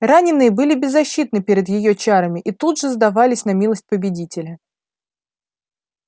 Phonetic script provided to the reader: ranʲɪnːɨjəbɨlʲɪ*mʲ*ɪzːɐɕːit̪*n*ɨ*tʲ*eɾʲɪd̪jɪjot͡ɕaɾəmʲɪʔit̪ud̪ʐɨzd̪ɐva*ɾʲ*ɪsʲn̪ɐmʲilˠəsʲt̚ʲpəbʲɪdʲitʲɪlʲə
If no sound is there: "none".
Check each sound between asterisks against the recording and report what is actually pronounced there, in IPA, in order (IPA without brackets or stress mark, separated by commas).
bʲ, n, pʲ, lʲ